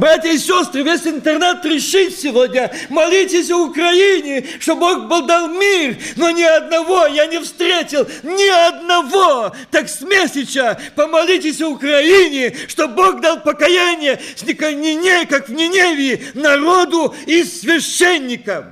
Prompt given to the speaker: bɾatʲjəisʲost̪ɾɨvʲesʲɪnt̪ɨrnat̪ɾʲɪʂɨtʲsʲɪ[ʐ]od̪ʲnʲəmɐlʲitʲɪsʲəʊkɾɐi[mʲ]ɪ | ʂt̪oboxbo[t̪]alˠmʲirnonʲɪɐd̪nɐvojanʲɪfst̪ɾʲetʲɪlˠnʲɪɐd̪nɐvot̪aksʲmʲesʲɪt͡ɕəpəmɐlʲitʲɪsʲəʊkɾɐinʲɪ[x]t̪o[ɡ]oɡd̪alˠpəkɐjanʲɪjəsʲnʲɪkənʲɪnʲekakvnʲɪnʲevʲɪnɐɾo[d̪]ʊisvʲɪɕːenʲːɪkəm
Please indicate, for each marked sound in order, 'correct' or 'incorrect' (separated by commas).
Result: incorrect, incorrect, incorrect, incorrect, incorrect, correct